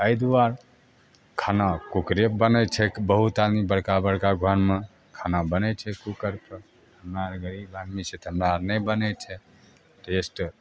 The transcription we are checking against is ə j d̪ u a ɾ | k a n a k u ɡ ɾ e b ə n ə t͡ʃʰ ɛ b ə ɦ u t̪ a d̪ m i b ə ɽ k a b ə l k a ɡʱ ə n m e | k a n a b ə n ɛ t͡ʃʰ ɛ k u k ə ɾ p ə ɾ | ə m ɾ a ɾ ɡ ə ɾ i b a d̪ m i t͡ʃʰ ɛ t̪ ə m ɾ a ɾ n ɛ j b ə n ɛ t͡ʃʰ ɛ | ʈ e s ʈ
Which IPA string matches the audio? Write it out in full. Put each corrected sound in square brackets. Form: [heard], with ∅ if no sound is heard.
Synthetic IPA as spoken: ə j d̪ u a ɾ | [kʰ] a n a k u [k] ɾ e b ə n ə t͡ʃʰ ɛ b ə ɦ u t̪ a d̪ m i b ə ɽ k a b ə [ɽ] k a ɡʱ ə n m e | [kʰ] a n a b ə n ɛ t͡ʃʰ ɛ k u k ə ɾ p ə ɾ | ə m ɾ a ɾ ɡ ə ɾ i b a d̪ m i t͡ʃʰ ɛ t̪ ə m ɾ a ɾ n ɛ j b ə n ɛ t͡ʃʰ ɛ | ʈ e s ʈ